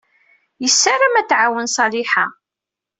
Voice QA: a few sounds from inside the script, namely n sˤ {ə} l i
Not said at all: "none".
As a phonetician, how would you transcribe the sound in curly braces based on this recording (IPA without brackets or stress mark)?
ɑ